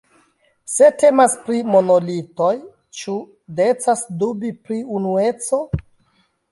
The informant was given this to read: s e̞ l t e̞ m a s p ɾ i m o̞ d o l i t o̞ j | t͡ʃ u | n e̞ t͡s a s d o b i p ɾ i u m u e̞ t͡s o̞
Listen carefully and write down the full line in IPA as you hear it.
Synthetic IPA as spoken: s e̞ t e̞ m a s p ɾ i m o̞ n o l i t o̞ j | t͡ʃ u | d e̞ t͡s a s d u b i p ɾ i u n u e̞ t͡s o̞